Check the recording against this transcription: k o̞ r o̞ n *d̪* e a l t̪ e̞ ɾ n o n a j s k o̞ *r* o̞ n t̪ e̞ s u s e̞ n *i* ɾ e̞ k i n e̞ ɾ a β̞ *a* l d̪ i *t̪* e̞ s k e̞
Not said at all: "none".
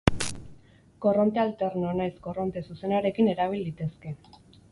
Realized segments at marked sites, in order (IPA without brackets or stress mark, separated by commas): t̪, r, a, i, t̪